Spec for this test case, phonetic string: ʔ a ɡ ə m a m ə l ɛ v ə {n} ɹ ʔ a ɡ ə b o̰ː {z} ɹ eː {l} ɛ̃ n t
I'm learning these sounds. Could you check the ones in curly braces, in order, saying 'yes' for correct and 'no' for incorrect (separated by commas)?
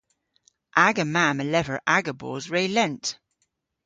no, yes, yes